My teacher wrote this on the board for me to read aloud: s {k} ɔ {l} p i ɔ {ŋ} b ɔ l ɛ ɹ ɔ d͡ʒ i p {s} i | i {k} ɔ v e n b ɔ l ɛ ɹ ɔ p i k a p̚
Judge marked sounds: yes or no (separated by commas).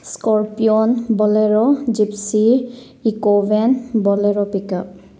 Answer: yes, no, no, yes, yes